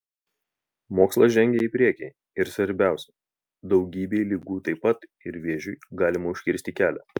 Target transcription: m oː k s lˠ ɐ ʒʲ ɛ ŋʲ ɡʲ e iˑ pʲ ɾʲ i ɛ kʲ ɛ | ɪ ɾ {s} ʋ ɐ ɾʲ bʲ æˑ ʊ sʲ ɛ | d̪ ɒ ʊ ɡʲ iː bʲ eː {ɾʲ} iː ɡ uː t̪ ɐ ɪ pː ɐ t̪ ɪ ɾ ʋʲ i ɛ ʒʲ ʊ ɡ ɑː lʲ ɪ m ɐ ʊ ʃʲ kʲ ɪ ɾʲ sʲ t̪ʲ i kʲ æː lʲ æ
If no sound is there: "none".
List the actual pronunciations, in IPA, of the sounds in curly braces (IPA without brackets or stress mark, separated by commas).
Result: s, lʲ